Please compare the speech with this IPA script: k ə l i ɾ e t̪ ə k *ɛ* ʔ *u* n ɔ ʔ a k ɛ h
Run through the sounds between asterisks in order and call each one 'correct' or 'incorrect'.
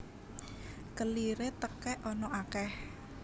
correct, incorrect: ɔ

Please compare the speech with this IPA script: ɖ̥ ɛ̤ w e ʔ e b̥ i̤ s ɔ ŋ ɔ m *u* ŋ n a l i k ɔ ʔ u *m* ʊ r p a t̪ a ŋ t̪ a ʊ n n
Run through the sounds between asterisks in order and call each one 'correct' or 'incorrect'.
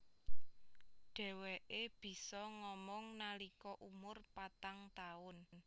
incorrect: ɔ, correct

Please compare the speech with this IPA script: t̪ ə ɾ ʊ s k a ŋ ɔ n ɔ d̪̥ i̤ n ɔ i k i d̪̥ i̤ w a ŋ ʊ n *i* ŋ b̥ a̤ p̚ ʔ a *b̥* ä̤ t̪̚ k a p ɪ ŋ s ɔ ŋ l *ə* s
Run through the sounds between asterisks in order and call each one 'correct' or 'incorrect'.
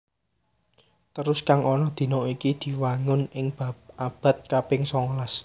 incorrect: ɪ, correct, incorrect: a

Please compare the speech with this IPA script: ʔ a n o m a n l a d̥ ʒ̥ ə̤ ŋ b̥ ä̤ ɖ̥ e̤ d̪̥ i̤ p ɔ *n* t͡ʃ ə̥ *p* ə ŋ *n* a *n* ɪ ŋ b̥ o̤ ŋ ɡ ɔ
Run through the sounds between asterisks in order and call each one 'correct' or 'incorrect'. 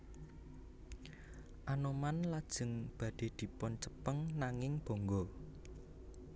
correct, correct, correct, incorrect: ŋ

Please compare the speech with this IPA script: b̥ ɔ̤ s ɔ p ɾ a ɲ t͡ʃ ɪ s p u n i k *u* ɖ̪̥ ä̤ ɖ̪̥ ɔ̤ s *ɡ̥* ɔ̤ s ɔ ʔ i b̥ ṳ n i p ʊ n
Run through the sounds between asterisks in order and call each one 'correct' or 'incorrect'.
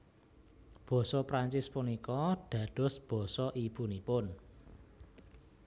incorrect: ɔ, incorrect: b̥

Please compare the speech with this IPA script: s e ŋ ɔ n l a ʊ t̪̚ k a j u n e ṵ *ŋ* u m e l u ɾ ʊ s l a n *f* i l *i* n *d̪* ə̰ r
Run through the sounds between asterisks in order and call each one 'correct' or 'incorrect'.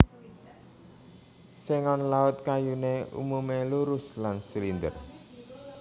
incorrect: m, incorrect: s, correct, correct

